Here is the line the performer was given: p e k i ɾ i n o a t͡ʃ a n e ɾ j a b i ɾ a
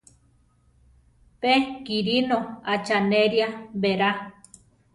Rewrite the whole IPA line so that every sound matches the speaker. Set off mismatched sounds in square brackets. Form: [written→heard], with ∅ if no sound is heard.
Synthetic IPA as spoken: p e k i ɾ i n o a t͡ʃ a n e ɾ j a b [i→e] ɾ a

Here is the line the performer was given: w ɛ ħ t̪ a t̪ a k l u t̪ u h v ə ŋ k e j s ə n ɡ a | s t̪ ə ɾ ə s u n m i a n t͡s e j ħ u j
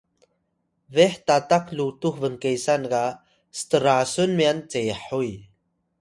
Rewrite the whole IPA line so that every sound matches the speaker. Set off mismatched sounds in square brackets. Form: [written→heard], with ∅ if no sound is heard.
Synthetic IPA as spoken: [w→v] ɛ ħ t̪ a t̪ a k l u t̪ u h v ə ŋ k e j s [ə→a] n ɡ a | s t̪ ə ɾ [ə→a] s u n m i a n t͡s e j ħ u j

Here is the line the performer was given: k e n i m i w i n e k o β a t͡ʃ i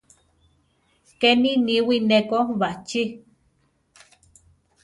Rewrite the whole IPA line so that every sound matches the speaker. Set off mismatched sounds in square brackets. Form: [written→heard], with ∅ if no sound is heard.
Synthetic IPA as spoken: k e n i [m→n] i w i n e k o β a t͡ʃ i

